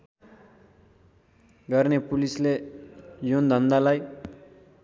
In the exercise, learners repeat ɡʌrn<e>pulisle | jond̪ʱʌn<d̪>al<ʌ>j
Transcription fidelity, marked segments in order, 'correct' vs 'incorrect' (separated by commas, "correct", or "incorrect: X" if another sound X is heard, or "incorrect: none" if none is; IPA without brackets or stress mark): correct, correct, incorrect: a